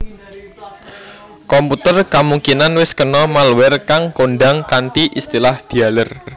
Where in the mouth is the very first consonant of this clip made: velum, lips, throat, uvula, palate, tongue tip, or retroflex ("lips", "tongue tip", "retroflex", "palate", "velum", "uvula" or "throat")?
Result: velum